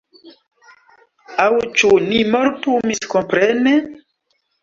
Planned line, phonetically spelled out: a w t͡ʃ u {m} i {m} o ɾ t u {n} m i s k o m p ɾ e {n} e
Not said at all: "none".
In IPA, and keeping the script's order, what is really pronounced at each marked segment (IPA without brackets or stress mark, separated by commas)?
n, m, none, n